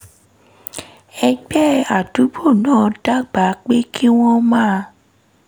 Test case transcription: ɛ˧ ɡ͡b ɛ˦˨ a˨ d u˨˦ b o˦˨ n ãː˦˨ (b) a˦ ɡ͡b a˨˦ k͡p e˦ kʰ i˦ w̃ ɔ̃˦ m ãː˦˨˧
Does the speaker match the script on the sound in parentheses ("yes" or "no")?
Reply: no